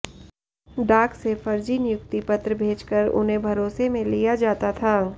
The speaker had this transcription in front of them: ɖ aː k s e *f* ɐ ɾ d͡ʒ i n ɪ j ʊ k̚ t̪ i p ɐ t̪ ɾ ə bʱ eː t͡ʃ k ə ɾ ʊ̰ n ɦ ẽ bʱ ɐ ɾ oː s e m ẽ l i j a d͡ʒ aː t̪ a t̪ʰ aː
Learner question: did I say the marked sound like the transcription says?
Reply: yes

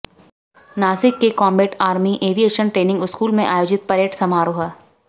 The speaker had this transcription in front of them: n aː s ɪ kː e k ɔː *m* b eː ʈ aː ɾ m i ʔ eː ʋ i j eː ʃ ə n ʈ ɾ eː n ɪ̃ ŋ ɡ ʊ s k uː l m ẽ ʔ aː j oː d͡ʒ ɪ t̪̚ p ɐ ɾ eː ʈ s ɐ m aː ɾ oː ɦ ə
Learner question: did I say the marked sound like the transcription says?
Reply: yes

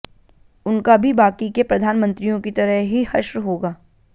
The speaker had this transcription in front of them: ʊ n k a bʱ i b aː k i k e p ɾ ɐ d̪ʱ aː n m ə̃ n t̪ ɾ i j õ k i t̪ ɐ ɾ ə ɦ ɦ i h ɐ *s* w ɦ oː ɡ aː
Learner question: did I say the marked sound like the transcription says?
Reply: no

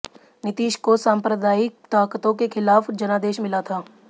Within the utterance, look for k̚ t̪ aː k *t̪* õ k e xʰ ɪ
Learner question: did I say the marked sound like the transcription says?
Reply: yes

